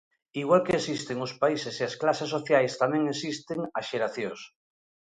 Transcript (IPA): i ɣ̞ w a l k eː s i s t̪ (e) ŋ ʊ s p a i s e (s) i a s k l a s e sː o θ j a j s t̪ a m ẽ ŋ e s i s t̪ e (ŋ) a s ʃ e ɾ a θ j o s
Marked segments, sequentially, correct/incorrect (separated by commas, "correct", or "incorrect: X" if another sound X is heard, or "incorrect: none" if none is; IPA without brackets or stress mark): correct, correct, correct